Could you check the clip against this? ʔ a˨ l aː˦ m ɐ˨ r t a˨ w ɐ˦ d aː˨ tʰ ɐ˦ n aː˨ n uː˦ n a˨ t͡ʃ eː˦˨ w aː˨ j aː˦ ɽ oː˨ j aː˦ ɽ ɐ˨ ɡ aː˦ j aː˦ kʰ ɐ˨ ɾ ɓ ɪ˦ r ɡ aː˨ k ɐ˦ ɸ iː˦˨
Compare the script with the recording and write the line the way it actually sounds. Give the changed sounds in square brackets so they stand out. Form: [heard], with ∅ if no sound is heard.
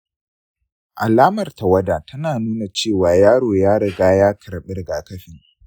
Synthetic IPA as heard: ʔ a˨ l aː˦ m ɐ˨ r t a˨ w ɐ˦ d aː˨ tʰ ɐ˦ n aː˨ n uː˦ n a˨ t͡ʃ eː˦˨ w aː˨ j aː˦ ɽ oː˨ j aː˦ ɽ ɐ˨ ɡ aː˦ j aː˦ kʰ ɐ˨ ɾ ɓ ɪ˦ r ɡ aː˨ k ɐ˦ ɸ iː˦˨